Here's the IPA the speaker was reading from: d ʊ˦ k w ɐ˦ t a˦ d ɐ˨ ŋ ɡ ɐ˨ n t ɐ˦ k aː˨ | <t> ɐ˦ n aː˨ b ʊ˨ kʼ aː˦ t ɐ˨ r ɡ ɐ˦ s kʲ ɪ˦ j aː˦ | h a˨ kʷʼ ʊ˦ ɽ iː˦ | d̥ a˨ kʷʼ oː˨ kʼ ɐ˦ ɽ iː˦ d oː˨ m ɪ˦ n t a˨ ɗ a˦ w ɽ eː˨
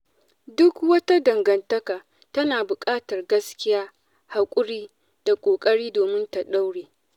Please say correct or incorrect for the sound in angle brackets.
correct